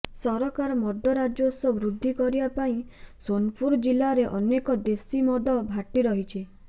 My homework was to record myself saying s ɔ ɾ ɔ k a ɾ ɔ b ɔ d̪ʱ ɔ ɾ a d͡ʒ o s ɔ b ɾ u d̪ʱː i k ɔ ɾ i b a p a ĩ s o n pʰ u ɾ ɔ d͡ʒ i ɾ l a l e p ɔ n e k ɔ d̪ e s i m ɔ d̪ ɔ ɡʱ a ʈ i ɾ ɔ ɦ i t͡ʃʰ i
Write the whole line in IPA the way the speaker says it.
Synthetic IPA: s ɔ ɾ ɔ k a ɾ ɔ m ɔ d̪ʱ ɔ ɾ a d͡ʒ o s ɔ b ɾ u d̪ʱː i k ɔ ɾ i b a p a ĩ s o n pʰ u ɾ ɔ d͡ʒ i l a ɾ e ʔ ɔ n e k ɔ d̪ e s i m ɔ d̪ ɔ bʱ a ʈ i ɾ ɔ ɦ i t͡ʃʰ i